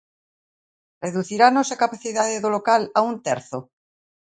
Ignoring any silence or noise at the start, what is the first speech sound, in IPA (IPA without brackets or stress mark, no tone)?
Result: r